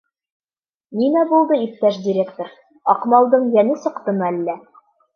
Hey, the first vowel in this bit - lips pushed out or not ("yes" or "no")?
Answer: no